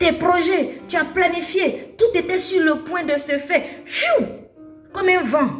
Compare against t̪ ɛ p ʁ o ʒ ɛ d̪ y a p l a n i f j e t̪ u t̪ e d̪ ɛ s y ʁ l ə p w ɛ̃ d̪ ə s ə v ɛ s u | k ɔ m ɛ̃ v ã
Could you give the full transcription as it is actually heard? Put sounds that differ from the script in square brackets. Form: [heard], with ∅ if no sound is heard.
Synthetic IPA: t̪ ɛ p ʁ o ʒ ɛ [t̪] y a p l a n i f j e t̪ u t̪ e [t̪] ɛ s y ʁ l ə p w ɛ̃ d̪ ə s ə [f] ɛ [f] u | k ɔ m ɛ̃ v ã